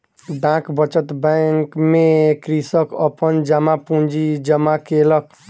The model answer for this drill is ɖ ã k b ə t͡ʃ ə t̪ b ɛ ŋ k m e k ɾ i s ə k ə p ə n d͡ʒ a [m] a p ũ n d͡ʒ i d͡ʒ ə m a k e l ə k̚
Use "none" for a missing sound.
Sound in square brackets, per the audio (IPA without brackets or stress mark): m